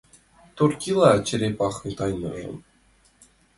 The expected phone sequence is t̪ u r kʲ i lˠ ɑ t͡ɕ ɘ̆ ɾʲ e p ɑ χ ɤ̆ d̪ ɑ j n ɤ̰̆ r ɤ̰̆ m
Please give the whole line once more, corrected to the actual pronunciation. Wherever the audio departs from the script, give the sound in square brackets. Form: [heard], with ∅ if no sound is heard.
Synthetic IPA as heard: t̪ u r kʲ i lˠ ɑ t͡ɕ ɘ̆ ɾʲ e p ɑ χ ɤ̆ [t̪] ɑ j n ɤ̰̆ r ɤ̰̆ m